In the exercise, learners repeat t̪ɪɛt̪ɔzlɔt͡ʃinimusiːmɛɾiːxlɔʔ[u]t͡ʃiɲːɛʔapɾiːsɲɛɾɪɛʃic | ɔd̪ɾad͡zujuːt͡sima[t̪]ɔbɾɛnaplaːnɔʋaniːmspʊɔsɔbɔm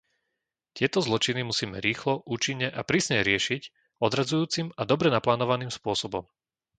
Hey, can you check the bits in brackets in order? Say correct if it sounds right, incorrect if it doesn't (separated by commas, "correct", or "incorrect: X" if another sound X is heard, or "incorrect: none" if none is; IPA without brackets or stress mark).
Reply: incorrect: uː, incorrect: d̪